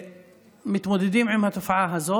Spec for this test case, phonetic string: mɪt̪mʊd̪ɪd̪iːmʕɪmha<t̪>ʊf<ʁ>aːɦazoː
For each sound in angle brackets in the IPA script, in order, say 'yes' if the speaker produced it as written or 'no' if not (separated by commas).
yes, no